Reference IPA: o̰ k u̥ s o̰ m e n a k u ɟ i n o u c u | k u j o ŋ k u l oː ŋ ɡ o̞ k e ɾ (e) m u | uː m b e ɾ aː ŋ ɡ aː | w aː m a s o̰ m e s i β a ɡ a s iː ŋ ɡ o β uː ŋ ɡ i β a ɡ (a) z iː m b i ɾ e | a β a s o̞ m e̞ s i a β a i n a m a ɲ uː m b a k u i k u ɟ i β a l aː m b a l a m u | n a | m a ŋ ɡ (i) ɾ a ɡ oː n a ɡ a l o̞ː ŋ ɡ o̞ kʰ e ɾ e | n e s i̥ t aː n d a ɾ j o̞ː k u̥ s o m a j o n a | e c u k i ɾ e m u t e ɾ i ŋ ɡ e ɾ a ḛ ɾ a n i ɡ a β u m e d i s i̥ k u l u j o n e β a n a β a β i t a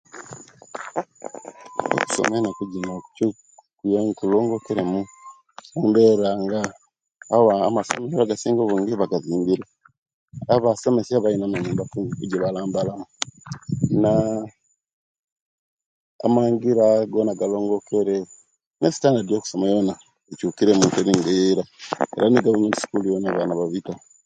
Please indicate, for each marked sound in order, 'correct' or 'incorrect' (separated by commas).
correct, correct, correct